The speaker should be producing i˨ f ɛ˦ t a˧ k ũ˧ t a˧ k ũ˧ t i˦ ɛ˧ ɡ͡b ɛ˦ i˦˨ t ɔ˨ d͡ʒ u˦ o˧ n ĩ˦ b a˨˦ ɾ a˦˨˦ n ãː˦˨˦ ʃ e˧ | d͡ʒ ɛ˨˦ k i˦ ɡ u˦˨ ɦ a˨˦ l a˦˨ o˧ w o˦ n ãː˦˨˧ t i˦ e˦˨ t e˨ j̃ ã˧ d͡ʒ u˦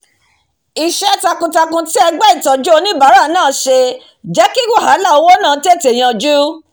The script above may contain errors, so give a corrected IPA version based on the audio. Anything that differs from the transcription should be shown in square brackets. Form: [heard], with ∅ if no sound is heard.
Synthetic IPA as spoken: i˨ [ʃ] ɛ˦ t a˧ k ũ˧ t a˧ k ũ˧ t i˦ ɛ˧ ɡ͡b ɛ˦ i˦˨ t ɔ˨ d͡ʒ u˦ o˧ n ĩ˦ b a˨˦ ɾ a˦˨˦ n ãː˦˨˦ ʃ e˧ | d͡ʒ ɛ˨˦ k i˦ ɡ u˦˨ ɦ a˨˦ l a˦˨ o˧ w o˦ n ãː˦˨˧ t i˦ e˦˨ t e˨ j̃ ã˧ d͡ʒ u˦